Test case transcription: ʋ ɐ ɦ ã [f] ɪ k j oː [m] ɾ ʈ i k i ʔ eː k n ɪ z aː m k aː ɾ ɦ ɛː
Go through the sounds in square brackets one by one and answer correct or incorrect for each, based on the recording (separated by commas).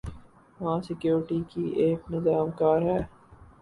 incorrect, incorrect